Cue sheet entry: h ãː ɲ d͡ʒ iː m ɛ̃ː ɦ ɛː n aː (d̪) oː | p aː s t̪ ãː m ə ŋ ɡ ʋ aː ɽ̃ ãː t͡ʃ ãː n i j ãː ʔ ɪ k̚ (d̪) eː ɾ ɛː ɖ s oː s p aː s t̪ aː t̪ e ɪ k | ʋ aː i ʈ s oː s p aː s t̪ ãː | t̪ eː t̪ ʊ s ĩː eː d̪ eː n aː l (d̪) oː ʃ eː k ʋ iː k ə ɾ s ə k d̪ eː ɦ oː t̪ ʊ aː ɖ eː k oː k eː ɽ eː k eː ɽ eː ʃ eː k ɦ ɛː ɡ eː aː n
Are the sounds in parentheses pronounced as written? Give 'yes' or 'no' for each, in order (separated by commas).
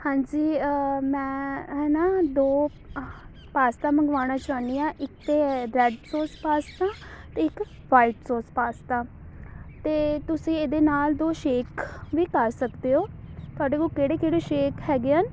yes, no, yes